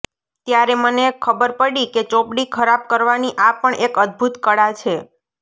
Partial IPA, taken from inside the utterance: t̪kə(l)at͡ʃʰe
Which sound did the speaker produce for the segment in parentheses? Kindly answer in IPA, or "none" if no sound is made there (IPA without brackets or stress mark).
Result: ɽ